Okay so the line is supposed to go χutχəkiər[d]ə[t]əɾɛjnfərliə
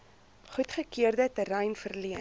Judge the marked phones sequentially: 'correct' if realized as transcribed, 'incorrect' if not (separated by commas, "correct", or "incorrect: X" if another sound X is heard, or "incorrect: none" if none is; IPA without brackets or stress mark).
correct, correct